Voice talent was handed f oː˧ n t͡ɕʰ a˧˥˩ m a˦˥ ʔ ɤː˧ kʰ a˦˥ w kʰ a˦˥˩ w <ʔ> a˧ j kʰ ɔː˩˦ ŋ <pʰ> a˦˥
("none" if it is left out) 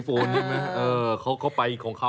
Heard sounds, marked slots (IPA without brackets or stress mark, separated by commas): p, kʰ